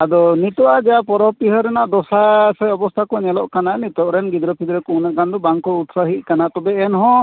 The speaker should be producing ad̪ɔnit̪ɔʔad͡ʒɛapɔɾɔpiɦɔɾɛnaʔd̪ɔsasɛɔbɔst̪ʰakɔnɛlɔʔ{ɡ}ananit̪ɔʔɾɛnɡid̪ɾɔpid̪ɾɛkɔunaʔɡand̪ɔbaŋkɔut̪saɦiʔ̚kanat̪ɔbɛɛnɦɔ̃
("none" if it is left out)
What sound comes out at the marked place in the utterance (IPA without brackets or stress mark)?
k